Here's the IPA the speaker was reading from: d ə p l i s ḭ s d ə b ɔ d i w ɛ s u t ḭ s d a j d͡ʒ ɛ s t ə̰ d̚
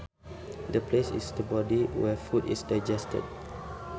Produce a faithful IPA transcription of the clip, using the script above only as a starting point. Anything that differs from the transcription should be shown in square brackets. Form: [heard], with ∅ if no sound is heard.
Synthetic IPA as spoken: d ə p l [e] s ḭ s d ə b ɔ d i w ɛ [f] u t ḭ s d a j d͡ʒ ɛ s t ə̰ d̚